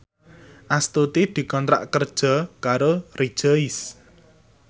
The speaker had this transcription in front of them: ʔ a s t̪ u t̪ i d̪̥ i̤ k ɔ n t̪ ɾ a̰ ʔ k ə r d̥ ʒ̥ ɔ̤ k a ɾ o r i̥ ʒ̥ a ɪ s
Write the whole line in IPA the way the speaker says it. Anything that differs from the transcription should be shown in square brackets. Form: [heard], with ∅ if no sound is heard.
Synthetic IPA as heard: ʔ a s t̪ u t̪ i d̪̥ i̤ k ɔ n t̪ ɾ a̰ ʔ k ə r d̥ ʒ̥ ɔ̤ k a ɾ o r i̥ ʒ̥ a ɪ s